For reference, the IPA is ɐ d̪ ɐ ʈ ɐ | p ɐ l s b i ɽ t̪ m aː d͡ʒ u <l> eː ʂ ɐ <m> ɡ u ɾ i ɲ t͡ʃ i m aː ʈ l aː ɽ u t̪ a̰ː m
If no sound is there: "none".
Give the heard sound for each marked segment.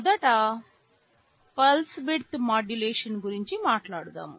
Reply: l, n

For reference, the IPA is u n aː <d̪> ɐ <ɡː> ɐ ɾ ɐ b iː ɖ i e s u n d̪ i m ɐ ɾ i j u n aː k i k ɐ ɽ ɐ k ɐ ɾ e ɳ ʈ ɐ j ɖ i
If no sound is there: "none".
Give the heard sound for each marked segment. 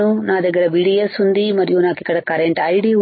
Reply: d̪, ɡ

